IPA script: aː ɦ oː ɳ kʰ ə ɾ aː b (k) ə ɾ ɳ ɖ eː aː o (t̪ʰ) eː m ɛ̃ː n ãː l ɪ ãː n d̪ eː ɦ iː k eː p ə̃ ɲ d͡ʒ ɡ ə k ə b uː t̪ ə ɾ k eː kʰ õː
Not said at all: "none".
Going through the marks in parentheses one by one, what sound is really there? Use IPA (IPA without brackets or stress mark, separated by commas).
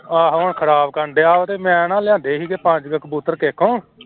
k, t̪